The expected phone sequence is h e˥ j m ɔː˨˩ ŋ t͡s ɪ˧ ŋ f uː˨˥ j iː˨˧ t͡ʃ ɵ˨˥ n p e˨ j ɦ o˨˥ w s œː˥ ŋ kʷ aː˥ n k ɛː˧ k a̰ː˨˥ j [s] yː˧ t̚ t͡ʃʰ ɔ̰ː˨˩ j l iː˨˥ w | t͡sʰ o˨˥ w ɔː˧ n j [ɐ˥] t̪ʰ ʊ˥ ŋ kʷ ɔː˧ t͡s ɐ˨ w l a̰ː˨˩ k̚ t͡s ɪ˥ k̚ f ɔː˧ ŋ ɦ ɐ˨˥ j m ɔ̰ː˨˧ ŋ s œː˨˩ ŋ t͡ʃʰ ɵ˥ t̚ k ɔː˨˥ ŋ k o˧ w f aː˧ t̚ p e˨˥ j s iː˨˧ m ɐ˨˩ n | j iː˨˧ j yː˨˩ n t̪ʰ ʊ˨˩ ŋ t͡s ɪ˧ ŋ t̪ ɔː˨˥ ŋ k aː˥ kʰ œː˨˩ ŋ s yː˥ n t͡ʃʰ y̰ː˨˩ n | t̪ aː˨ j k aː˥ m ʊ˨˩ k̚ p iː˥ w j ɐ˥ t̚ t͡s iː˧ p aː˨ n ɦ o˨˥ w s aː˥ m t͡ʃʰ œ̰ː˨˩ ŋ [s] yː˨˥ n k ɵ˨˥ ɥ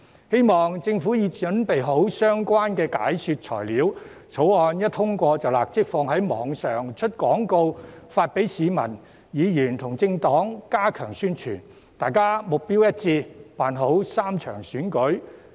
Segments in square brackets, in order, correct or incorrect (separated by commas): correct, correct, correct